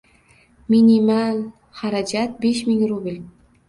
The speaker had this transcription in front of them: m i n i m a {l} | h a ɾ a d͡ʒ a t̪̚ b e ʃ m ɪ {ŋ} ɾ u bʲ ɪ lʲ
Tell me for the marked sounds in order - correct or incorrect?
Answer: correct, correct

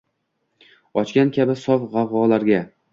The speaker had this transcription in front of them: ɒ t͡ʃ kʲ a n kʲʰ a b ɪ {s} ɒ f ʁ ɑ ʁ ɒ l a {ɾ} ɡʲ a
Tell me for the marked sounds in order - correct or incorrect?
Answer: correct, correct

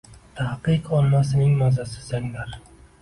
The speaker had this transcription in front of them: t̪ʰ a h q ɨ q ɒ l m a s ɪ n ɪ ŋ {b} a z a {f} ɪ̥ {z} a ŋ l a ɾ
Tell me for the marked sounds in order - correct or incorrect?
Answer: incorrect: m, incorrect: s, correct

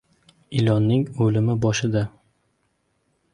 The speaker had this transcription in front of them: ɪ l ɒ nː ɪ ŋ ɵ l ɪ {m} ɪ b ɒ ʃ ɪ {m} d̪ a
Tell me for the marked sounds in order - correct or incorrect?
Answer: correct, incorrect: none

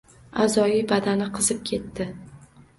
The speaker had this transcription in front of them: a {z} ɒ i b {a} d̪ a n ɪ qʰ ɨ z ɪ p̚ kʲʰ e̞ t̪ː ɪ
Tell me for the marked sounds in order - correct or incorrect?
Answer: correct, correct

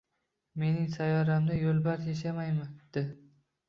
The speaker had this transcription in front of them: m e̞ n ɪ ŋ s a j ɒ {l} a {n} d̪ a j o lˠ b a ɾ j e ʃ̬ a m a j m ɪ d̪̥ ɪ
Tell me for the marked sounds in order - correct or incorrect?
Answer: incorrect: ɾ, incorrect: m

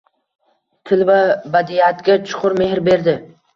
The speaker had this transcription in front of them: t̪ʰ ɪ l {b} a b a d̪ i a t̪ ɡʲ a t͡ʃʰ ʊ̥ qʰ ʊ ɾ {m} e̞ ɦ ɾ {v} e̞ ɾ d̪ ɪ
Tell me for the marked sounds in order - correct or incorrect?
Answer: incorrect: v, correct, incorrect: b

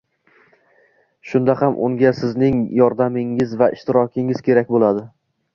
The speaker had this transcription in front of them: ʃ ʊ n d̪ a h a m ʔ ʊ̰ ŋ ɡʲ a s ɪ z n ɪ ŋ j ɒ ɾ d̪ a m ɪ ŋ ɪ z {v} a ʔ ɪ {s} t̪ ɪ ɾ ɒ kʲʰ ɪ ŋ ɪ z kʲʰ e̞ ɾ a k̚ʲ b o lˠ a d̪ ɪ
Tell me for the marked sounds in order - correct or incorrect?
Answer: correct, incorrect: ʃ

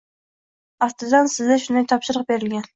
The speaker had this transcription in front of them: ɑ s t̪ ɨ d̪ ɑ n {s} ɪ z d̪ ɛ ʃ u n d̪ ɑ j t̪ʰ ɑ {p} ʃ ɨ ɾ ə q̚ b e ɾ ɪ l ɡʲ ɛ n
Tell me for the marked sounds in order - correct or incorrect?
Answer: correct, correct

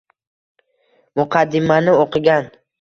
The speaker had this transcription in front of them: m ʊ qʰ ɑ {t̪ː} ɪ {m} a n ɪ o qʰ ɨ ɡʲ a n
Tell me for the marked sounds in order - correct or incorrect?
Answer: incorrect: d̪ː, correct

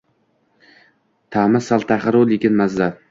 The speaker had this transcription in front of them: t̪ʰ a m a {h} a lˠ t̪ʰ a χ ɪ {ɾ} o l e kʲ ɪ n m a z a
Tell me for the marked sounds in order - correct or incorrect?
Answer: incorrect: s, correct

